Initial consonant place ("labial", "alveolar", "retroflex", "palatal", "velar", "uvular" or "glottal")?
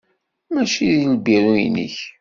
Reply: labial